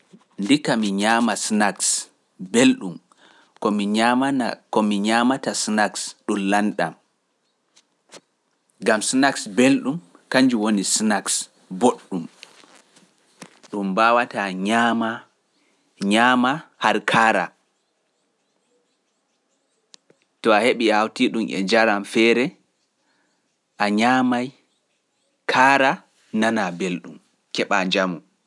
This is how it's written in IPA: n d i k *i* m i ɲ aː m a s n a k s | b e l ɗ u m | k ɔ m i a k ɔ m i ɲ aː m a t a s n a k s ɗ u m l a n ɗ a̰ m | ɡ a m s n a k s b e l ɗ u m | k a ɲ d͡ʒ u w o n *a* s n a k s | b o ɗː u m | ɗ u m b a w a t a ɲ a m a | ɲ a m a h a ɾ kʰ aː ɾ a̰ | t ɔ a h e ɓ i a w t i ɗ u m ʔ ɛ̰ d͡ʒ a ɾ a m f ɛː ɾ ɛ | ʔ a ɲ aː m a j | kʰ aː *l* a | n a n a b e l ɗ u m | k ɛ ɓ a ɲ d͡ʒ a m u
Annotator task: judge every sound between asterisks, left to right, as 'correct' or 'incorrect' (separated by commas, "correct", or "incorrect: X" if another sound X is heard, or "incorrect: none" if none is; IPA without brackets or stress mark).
incorrect: a, incorrect: i, incorrect: ɾ